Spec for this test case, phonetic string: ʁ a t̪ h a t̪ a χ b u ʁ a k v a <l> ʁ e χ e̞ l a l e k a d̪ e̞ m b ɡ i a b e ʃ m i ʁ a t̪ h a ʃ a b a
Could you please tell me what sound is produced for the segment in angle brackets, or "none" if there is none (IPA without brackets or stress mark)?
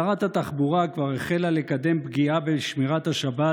none